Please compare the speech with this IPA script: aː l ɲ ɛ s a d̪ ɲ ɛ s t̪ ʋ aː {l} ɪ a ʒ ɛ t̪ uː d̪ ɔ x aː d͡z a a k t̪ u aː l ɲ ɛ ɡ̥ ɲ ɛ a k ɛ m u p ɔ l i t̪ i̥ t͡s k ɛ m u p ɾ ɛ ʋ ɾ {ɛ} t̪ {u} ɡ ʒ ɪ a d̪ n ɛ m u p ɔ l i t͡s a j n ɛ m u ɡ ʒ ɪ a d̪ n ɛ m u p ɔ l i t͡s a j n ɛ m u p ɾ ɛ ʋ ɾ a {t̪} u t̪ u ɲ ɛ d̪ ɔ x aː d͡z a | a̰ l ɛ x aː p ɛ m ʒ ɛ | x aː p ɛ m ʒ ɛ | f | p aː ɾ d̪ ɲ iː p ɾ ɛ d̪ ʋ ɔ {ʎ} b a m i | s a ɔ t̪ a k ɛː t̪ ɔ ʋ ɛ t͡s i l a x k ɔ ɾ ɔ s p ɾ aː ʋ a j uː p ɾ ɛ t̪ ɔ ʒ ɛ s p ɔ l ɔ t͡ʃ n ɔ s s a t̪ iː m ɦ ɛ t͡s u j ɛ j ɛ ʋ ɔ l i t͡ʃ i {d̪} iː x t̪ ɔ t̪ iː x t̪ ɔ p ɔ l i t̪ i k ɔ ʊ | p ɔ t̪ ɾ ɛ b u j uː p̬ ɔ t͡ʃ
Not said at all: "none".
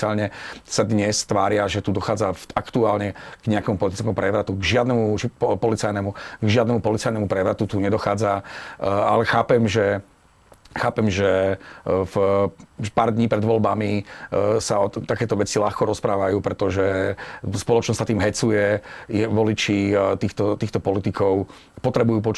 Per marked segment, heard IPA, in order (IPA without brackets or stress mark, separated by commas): ɾ, a, u, t̪, l, t̪